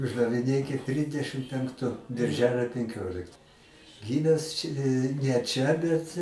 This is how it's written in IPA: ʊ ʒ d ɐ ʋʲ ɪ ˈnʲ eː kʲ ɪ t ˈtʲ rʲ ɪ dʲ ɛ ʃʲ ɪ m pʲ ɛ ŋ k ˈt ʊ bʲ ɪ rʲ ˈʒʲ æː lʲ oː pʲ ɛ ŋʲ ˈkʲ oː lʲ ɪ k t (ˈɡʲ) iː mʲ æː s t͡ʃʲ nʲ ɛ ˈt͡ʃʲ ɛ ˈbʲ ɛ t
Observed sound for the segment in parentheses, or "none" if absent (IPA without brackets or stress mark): ɡʲ